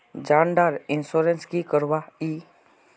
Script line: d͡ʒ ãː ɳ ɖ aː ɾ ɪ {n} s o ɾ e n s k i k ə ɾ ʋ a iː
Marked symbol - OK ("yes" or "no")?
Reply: yes